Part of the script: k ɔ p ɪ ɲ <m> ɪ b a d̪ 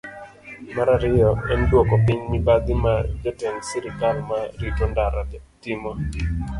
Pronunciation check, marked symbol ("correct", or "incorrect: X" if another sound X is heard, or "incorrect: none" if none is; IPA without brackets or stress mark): correct